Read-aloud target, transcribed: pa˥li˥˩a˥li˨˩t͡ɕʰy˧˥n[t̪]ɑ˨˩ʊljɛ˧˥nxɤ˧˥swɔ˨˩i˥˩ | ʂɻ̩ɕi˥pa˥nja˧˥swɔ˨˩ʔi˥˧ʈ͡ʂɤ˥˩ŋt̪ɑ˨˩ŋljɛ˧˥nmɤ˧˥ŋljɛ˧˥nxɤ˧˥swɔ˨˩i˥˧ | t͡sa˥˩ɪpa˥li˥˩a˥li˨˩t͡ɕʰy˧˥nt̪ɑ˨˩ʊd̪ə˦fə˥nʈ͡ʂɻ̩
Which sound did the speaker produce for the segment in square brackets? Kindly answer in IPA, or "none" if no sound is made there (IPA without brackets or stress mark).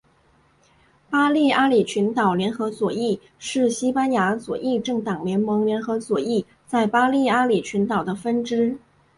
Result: t̪